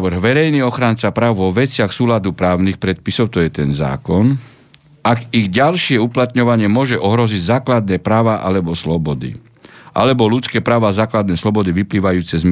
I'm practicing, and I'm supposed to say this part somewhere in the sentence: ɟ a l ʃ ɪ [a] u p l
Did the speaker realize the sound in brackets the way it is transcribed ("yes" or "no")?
no